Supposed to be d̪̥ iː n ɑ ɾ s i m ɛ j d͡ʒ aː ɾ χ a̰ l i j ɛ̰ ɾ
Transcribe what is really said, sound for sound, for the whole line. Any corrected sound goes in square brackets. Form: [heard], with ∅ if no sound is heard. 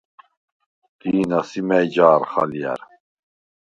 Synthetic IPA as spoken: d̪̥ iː n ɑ [∅] s i m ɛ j d͡ʒ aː ɾ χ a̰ l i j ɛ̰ ɾ